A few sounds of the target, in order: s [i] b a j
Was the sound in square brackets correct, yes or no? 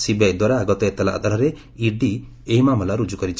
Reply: yes